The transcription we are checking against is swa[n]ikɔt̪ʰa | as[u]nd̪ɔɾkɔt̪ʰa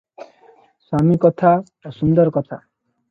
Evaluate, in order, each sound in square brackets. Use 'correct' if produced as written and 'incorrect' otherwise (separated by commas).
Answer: incorrect, correct